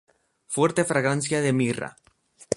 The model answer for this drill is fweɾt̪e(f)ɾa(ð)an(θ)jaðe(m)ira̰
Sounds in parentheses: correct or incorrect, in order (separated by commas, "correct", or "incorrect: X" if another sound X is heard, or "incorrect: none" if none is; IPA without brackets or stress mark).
correct, incorrect: ɣ, incorrect: s, correct